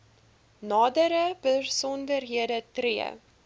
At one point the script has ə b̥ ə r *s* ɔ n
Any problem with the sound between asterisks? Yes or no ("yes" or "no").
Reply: no